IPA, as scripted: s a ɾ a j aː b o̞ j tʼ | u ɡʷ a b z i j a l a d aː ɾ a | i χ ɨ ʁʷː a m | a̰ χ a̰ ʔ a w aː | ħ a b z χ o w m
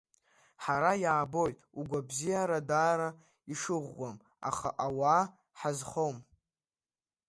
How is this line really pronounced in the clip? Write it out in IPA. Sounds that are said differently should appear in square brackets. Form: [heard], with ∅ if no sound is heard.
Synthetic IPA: [ħ] a ɾ a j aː b o̞ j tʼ | u ɡʷ a b z i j a [ɾ] a d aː ɾ a | i [ʂ] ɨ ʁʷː a m | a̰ χ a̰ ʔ a w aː | ħ a [∅] z χ o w m